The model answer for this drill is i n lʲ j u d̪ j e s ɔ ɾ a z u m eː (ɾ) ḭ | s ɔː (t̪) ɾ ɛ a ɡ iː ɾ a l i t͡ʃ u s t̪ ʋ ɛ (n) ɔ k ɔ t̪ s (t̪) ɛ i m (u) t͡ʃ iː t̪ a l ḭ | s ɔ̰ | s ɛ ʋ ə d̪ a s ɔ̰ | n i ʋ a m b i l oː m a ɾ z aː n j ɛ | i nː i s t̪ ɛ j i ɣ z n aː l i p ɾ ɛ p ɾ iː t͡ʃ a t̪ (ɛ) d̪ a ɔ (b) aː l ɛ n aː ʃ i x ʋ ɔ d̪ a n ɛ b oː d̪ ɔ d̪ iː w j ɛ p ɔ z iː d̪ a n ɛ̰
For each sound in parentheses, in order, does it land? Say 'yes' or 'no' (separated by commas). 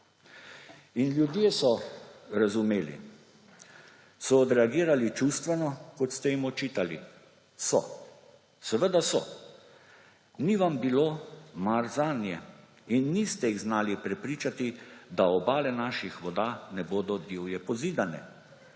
no, no, yes, yes, no, no, yes